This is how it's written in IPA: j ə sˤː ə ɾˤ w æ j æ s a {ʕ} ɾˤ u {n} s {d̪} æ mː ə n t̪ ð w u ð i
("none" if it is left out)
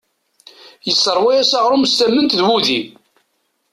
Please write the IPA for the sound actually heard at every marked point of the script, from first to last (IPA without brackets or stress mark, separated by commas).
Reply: ʁ, m, t̪